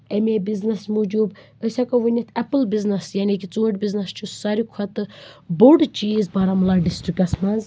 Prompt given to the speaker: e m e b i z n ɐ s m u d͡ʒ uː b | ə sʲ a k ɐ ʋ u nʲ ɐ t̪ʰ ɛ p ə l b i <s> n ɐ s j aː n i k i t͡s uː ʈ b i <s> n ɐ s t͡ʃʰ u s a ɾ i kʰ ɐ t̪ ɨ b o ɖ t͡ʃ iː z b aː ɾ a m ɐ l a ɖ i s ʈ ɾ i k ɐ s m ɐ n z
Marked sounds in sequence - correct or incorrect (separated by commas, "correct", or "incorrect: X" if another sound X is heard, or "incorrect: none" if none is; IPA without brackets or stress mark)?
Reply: incorrect: z, incorrect: z